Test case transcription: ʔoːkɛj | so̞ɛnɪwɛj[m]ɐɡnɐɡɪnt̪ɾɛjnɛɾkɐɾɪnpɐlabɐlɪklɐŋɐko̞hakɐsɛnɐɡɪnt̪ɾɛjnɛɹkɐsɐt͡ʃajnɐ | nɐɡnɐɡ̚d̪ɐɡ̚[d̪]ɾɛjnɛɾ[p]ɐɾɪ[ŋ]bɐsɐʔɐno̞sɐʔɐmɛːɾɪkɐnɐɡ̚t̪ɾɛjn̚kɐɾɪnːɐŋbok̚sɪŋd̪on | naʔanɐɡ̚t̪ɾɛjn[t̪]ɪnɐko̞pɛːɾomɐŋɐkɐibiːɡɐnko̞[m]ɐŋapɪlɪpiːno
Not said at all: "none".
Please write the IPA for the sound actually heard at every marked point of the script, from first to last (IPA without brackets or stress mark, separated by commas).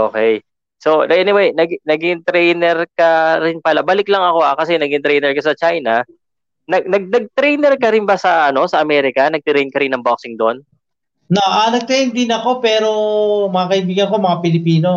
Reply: n, t̪, k, n, d̪, m